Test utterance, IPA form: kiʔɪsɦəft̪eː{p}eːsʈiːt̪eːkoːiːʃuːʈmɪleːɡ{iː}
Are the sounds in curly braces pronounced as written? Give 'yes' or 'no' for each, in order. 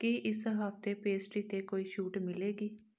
yes, yes

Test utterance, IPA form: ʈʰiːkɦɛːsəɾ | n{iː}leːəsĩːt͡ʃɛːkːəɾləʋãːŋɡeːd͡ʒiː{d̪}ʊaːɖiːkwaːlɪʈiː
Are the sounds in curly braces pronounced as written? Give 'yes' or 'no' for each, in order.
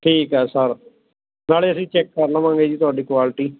no, no

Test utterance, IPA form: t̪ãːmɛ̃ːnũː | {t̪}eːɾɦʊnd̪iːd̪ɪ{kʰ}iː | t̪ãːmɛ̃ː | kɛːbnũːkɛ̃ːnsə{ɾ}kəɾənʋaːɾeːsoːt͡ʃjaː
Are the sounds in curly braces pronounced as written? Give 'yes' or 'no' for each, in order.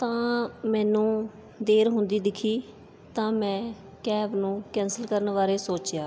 no, yes, no

